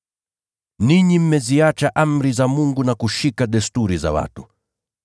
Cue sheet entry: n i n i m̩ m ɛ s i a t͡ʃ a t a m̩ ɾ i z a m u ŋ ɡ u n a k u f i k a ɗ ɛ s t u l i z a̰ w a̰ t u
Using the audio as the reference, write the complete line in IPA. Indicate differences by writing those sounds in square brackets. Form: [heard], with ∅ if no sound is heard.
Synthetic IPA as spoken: n i [ɲ] i m̩ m ɛ [z] i a t͡ʃ a [ʔ] a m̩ ɾ i z a m u ŋ ɡ u n a k u [ʃ] i k a ɗ ɛ s t u [ɾ] i z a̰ w a̰ t u